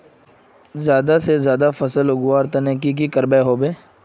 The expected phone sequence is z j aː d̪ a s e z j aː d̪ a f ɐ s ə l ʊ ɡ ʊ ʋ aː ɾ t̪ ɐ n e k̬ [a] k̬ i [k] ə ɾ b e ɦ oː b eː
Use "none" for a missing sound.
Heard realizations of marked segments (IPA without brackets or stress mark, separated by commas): i, k